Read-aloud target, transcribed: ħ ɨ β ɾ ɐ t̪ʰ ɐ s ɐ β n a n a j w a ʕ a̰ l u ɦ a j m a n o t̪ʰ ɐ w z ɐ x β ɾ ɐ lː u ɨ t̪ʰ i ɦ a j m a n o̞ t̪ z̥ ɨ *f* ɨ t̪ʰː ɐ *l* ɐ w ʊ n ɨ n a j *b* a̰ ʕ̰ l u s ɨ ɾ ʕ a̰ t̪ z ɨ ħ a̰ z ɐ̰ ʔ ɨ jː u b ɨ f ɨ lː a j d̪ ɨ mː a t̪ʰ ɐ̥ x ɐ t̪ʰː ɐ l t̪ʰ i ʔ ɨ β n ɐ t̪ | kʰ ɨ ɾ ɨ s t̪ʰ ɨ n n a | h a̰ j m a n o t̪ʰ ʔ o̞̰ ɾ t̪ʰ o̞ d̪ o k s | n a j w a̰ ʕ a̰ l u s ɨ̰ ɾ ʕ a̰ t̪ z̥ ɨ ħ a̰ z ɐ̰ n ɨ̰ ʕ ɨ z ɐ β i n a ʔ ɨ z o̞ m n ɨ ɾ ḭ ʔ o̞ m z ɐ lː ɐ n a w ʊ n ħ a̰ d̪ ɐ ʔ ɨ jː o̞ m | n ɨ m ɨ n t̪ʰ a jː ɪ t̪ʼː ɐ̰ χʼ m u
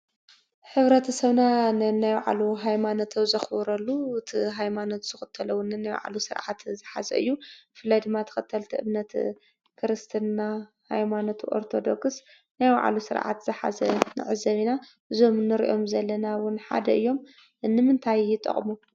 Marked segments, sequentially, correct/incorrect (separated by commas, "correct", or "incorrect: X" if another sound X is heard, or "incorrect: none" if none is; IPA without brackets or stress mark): incorrect: x, correct, incorrect: w